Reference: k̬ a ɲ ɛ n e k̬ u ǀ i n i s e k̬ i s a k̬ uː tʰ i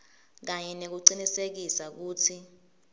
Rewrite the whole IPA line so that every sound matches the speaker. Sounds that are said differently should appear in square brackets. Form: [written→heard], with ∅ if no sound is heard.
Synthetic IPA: k̬ a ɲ ɛ n e k̬ u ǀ i n i s e k̬ i s a k̬ uː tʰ i